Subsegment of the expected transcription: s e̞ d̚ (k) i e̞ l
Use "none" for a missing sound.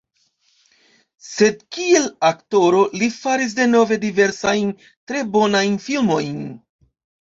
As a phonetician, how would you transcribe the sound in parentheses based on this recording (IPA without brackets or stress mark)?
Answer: k